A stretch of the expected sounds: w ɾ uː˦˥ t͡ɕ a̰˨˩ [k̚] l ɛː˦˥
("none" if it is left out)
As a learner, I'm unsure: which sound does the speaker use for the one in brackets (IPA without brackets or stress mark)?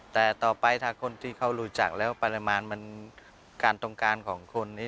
k̚